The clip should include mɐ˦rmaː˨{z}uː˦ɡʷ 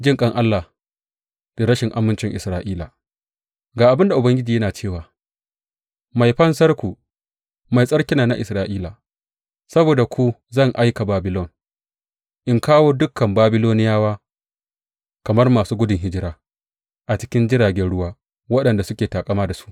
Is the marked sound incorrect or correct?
incorrect